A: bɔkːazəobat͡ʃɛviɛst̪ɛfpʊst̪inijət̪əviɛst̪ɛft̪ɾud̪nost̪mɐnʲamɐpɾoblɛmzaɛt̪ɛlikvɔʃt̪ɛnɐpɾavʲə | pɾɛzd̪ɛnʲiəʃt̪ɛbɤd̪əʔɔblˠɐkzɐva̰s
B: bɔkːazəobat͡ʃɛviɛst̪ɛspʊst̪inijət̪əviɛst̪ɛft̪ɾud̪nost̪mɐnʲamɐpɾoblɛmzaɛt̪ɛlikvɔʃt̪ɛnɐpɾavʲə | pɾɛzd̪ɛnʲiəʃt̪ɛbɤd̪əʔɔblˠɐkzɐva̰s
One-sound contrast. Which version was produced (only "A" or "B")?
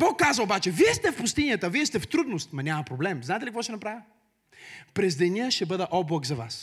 A